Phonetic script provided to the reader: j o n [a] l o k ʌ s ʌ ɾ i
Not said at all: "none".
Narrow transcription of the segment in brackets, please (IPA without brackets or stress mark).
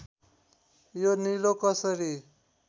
i